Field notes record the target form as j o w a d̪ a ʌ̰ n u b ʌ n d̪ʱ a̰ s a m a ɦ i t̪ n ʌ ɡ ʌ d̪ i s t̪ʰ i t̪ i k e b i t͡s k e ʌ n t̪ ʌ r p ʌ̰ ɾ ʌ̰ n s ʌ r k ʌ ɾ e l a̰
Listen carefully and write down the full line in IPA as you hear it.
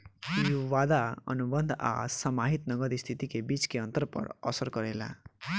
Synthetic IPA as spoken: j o w a d̪ a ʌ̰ n u b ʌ n d̪ʱ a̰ s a m a ɦ i t̪ n ʌ ɡ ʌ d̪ i s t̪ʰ i t̪ i k e b i t͡s k e ʌ n t̪ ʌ r p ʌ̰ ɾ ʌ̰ s ʌ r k ʌ ɾ e l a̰